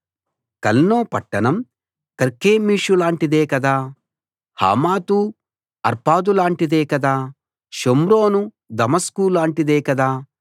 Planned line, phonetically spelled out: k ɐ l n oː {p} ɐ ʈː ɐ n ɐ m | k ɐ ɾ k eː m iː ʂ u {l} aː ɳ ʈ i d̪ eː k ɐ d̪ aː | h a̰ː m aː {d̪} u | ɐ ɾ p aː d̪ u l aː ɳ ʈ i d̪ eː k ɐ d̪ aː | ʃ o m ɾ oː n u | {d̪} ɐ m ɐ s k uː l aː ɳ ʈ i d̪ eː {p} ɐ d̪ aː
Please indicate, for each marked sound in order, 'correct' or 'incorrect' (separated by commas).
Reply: correct, correct, incorrect, correct, incorrect